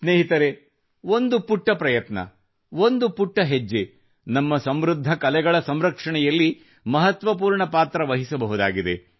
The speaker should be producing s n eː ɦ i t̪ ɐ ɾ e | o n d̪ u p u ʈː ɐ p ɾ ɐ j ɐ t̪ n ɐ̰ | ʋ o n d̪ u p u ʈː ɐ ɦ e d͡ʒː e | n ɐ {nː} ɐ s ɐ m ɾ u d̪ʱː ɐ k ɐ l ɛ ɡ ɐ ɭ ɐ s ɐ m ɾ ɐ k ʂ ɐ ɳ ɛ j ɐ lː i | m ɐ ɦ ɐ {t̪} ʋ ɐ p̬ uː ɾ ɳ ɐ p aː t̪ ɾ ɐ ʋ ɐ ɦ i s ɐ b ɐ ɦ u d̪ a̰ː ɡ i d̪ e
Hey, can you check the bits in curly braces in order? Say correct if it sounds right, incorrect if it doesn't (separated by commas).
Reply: incorrect, correct